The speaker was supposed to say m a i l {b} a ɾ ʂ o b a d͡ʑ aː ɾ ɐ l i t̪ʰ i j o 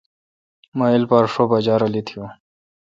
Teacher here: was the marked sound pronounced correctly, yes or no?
no